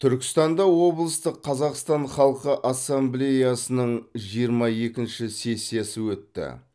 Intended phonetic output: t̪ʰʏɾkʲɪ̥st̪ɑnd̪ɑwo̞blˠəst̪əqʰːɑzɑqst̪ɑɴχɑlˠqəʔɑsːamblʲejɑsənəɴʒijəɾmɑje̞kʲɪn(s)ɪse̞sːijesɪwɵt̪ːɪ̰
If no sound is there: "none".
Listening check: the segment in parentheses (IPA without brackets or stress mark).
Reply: ʃ